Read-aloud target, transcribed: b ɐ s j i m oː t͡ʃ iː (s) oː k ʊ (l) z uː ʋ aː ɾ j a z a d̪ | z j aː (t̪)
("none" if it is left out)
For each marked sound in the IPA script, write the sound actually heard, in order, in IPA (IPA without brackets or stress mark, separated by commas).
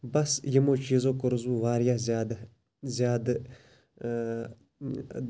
z, ɾ, d̪